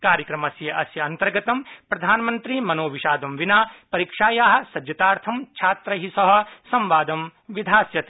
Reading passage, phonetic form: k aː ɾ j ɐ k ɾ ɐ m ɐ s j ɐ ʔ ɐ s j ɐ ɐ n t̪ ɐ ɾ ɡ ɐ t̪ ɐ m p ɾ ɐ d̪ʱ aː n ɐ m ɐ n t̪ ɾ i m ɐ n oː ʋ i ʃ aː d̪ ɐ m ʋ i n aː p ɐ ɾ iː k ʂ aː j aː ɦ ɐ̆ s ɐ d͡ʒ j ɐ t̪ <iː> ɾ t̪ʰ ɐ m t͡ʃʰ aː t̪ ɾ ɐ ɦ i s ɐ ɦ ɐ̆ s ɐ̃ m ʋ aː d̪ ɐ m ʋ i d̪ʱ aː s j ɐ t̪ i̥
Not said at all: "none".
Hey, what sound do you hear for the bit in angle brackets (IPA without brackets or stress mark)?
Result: aː